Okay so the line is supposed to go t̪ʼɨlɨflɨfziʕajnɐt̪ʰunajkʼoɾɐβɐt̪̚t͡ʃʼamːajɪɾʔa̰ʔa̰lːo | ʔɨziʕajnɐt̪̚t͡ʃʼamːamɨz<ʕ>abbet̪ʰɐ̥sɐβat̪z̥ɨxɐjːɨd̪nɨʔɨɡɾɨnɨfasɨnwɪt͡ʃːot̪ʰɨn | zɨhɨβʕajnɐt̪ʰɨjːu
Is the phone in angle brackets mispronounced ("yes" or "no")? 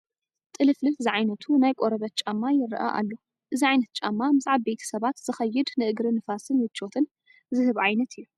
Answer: no